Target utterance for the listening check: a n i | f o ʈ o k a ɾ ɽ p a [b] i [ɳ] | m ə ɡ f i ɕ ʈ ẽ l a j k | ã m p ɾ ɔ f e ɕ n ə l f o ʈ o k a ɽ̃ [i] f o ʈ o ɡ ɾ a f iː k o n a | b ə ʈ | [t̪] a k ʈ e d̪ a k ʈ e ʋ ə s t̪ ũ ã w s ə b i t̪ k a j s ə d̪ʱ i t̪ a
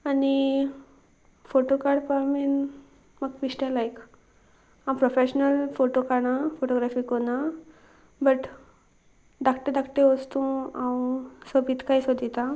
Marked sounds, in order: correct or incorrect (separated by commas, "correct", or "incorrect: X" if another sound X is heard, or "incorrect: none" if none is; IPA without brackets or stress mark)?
incorrect: m, incorrect: n, incorrect: a, incorrect: d̪